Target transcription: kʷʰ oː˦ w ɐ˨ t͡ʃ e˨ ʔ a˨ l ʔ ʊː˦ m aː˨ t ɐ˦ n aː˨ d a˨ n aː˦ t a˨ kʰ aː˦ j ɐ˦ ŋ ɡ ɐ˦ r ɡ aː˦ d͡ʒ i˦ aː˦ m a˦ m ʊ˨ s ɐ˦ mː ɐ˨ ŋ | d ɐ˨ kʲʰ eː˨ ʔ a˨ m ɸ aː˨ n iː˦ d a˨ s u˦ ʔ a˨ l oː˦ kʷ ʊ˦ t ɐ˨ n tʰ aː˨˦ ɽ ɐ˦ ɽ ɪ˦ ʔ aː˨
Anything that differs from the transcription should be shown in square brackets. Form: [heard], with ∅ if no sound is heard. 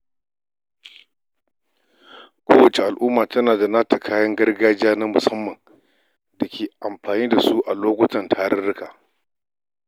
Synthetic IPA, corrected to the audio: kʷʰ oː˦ w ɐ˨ t͡ʃ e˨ ʔ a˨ l ʔ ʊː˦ m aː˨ t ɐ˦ n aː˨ d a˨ n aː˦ t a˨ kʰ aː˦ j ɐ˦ ŋ ɡ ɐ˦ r ɡ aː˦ d͡ʒ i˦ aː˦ [n] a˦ m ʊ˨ s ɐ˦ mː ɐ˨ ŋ | d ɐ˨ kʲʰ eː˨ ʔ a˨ m ɸ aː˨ n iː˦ d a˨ s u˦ ʔ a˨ l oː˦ kʷ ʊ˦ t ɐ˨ n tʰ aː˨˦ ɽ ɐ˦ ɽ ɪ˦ [k] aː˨

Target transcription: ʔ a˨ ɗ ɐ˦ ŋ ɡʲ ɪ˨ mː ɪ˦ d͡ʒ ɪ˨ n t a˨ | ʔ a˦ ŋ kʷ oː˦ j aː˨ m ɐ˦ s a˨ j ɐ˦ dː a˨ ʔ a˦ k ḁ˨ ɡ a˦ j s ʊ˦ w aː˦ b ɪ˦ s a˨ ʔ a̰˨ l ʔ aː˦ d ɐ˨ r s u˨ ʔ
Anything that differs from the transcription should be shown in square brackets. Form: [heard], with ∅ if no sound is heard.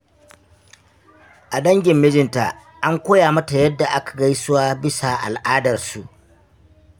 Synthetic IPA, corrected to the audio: ʔ a˨ ɗ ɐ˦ ŋ ɡʲ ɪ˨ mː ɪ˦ d͡ʒ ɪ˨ n t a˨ | ʔ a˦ ŋ kʷ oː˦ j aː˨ m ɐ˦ [t] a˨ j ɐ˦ dː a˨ ʔ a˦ k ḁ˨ ɡ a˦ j s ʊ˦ w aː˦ b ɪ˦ s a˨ ʔ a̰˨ l ʔ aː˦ d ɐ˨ r s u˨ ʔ

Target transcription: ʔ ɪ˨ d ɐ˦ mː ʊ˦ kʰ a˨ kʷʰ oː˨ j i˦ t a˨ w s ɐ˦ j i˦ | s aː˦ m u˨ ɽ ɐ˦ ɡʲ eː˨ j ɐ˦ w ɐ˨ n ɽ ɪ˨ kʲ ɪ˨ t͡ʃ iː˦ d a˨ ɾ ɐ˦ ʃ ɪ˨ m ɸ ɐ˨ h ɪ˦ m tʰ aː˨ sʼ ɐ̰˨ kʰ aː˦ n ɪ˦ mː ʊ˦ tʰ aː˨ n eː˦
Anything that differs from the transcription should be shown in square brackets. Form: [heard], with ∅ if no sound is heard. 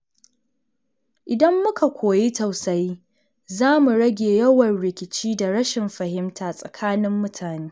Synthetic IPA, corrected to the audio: ʔ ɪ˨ d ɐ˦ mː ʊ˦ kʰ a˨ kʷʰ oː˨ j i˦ t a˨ w s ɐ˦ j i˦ | [z] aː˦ m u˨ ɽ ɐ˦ ɡʲ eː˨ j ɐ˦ w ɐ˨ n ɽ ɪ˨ kʲ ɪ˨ t͡ʃ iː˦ d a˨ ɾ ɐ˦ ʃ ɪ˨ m ɸ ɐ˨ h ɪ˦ m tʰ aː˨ sʼ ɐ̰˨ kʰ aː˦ n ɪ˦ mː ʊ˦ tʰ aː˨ n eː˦

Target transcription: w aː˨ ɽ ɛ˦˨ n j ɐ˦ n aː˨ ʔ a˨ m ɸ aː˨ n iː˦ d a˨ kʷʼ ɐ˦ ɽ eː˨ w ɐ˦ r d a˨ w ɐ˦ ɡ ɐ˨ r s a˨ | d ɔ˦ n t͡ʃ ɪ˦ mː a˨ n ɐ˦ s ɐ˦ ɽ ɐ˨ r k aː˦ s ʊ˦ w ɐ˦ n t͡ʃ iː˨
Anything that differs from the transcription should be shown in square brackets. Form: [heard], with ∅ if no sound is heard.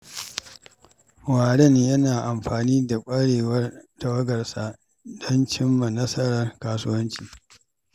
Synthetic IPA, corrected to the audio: w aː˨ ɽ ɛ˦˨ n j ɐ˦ n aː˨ ʔ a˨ m ɸ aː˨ n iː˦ d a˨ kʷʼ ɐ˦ ɽ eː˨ w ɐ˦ r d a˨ w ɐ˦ ɡ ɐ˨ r s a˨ | d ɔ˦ n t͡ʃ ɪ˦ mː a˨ n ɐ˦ s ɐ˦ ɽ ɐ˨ r k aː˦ s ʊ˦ w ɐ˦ n t͡ʃ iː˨

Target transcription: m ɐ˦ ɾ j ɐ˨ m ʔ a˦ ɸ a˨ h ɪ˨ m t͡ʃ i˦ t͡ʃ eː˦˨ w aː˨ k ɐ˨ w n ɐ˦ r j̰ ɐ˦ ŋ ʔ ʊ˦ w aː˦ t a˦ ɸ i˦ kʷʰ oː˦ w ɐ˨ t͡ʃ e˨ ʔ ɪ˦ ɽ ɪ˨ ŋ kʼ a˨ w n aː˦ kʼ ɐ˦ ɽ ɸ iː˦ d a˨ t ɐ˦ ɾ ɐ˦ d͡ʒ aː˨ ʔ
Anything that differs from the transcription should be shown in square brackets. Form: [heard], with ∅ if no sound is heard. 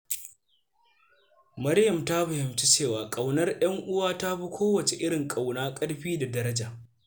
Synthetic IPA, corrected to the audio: m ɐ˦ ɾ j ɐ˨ m [t] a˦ ɸ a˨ h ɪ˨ m t͡ʃ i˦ t͡ʃ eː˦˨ w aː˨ [kʼ] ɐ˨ w n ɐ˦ r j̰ ɐ˦ ŋ ʔ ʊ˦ w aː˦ t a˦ ɸ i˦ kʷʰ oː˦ w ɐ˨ t͡ʃ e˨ ʔ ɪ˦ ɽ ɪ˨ ŋ kʼ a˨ w n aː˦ kʼ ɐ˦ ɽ ɸ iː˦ d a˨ [d] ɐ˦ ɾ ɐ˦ d͡ʒ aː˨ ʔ

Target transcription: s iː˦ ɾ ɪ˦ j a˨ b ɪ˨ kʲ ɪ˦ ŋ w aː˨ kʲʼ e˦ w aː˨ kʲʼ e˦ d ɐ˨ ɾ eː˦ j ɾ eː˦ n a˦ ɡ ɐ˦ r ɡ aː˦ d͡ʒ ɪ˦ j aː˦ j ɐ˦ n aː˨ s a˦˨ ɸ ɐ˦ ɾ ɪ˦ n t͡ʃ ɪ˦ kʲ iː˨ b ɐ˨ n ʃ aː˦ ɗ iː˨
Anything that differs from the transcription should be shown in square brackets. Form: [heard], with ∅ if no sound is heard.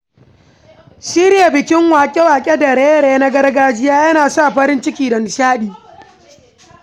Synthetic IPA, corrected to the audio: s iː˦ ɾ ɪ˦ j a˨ b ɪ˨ kʲ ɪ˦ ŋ w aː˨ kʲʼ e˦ w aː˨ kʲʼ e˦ d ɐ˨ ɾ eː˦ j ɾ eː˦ n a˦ ɡ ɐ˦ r ɡ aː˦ d͡ʒ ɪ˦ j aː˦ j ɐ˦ n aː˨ s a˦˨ ɸ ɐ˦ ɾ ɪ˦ n t͡ʃ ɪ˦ kʲ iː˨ [d] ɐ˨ n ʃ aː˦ ɗ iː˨

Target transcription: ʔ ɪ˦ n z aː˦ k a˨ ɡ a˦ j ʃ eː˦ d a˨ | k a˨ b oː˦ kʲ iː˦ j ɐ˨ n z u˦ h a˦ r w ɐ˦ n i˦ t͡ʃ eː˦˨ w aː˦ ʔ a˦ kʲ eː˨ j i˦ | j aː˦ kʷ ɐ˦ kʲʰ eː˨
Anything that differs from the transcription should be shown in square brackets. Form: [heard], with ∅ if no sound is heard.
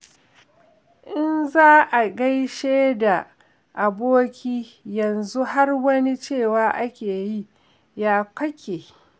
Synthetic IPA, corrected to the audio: ʔ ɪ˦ n z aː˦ [ʔ] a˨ ɡ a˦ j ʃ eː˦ d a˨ | [ʔ] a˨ b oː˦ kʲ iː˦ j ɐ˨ n z u˦ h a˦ r w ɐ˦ n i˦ t͡ʃ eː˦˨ w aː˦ ʔ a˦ kʲ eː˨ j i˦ | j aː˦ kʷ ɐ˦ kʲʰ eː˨

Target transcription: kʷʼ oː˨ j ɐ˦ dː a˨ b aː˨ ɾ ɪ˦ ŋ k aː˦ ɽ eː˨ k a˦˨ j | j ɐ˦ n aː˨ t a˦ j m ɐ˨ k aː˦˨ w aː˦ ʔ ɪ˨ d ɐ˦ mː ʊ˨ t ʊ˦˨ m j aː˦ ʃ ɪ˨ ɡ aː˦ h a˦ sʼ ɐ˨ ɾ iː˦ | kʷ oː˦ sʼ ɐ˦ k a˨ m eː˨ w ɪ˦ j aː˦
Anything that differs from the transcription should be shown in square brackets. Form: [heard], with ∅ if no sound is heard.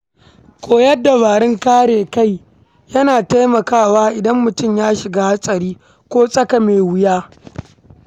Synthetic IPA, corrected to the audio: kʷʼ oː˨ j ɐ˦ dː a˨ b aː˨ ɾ ɪ˦ ŋ k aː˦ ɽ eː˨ k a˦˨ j | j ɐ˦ n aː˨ t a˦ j m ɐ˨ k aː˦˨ w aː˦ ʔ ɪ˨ d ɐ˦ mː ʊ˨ t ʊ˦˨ m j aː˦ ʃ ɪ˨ ɡ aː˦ h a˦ sʼ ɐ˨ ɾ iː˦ | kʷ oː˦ sʼ ɐ˦ k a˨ m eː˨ w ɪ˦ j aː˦

